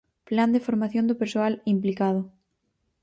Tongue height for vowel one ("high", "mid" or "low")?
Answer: low